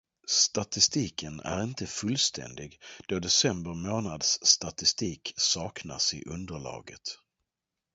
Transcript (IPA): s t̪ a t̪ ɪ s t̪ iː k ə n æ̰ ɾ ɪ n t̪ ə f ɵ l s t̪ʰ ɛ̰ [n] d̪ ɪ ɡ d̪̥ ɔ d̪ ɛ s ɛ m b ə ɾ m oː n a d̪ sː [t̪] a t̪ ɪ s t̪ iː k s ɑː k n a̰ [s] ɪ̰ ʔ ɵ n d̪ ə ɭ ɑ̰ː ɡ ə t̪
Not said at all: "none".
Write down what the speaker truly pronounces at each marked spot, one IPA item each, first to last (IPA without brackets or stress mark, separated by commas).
n, t̪, s